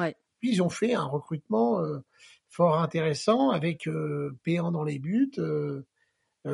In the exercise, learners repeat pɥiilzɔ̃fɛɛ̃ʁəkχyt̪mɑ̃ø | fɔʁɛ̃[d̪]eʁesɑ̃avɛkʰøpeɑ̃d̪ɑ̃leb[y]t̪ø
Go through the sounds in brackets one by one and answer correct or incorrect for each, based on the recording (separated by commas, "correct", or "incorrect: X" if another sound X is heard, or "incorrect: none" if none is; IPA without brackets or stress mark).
incorrect: t̪, correct